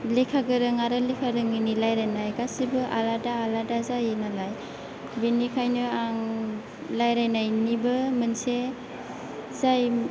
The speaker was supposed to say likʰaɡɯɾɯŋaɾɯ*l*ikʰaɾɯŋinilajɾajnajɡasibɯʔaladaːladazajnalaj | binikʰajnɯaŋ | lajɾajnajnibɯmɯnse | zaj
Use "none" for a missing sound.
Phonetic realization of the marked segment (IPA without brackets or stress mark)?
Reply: l